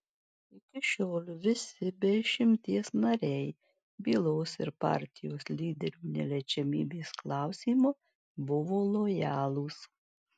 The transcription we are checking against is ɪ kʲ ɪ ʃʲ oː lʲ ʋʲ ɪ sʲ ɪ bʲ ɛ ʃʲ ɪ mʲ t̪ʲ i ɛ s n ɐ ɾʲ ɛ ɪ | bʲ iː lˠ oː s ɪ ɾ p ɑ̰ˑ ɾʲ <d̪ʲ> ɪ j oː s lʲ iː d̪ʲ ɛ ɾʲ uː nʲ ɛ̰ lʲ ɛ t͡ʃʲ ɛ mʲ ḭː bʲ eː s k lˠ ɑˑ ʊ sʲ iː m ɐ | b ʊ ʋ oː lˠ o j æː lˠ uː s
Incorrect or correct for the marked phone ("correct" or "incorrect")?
incorrect